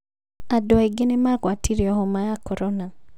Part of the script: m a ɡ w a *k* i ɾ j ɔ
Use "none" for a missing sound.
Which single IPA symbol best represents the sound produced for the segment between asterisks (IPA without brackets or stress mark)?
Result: t